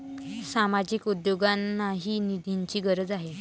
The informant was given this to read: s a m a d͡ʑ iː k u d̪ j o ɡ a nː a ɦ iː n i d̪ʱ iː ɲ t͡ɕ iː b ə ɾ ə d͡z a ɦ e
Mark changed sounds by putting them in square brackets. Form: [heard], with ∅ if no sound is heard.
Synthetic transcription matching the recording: s a m a d͡ʑ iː k u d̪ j o ɡ a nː a ɦ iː n i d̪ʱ [i] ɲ t͡ɕ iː [ɡ] ə ɾ ə d͡z a ɦ e